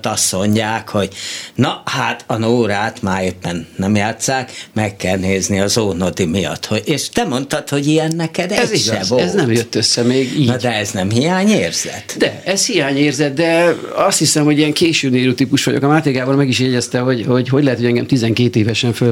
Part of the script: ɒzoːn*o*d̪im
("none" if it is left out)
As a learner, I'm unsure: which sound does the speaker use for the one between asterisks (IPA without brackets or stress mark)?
o